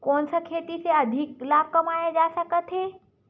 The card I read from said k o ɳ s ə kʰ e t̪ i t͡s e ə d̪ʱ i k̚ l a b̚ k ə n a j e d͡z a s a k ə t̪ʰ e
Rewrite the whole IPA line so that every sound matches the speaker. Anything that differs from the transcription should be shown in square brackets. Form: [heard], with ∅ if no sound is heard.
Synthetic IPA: k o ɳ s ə kʰ e t̪ i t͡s e ə d̪ʱ i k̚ l a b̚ k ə [m] a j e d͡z a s a k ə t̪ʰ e